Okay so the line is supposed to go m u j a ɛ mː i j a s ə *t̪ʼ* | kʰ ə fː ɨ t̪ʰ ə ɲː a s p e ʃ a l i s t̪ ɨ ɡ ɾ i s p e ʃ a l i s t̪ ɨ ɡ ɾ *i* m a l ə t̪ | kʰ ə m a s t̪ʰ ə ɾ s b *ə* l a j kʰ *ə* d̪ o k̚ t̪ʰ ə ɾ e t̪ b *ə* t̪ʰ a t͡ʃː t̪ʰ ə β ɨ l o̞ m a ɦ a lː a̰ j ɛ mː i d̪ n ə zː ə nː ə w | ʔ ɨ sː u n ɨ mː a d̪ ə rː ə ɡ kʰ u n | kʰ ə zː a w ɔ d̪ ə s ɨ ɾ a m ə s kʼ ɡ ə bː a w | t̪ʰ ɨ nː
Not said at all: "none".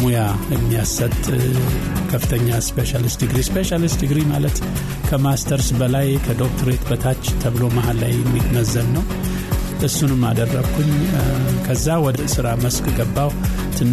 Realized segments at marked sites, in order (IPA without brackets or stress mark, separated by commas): t̪ʼ, i, ə, ə, ə